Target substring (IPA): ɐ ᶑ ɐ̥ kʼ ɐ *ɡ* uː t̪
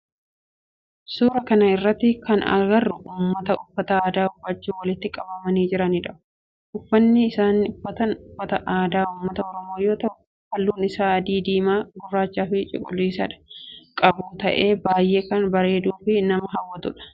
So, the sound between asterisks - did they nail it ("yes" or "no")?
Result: no